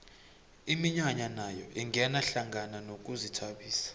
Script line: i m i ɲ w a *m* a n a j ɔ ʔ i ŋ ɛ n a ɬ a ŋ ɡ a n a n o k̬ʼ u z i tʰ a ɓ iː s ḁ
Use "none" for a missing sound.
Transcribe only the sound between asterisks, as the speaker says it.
ɲ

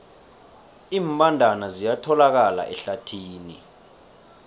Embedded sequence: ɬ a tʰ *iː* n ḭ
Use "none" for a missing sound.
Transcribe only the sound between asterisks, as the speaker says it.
iː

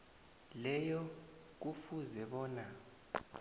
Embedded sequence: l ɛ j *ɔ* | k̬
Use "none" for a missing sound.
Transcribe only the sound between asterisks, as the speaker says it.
ɔ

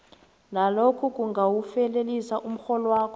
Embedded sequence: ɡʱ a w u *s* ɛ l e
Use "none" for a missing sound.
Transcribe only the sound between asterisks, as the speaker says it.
f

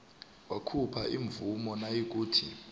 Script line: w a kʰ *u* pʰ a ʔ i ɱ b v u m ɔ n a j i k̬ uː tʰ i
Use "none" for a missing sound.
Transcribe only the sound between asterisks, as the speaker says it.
u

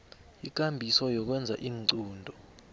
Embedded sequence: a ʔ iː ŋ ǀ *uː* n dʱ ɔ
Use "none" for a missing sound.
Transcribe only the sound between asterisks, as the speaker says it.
uː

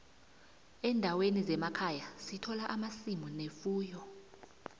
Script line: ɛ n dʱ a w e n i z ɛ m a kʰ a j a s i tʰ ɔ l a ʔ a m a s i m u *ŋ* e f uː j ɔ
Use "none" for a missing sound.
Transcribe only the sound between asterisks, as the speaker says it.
n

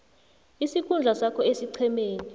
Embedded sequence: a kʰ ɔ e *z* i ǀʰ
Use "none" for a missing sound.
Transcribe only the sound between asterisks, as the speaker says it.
s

